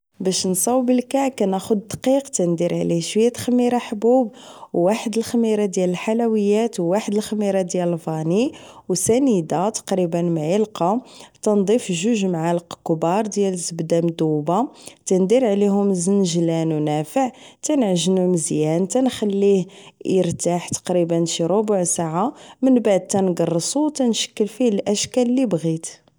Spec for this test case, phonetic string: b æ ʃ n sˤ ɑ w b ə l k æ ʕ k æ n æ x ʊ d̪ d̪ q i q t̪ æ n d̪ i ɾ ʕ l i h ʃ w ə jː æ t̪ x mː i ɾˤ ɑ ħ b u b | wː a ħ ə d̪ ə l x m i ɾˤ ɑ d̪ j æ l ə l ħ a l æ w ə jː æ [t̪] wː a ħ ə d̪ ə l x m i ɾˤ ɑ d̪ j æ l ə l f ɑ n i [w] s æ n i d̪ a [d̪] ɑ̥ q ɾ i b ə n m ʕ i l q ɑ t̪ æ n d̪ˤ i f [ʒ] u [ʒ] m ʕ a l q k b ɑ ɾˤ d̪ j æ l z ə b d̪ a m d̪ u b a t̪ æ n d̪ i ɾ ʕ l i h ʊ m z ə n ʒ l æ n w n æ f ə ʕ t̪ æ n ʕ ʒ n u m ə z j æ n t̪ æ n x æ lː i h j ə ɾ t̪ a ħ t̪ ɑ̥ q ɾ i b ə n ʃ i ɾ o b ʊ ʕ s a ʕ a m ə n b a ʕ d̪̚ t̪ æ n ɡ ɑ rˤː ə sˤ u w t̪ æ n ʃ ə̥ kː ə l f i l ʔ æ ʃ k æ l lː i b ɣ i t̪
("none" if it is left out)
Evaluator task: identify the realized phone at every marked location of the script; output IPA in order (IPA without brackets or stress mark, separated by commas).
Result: t̪, w, t̪, ʒ, ʒ